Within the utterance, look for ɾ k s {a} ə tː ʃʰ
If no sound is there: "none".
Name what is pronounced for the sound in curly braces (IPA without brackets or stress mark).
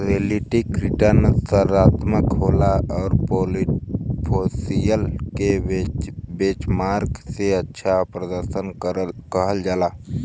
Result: e